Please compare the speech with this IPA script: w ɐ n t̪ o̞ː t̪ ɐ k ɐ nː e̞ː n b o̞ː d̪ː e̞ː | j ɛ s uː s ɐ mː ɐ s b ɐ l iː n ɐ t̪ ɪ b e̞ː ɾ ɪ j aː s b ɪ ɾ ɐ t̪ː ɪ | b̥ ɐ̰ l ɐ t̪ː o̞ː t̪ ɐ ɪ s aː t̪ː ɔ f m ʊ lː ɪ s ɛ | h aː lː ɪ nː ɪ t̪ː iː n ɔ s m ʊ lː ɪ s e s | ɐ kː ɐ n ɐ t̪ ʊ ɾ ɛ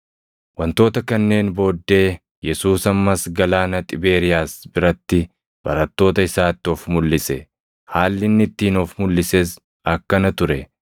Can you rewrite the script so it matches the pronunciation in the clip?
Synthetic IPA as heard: w ɐ n t̪ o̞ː t̪ ɐ k ɐ nː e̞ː n b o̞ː d̪ː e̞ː | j ɛ s uː s ɐ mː ɐ s ɡ ɐ l aː n ɐ t̪ʼ ɪ b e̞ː ɾ ɪ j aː s b ɪ ɾ ɐ t̪ː ɪ | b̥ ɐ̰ ɾ ɐ t̪ː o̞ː t̪ ɐ ɪ s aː t̪ː ɔ f m ʊ lː ɪ s ɛ | h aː lː ɪ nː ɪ t̪ː iː n ɔ f m ʊ lː ɪ s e s | ɐ kː ɐ n ɐ t̪ ʊ ɾ ɛ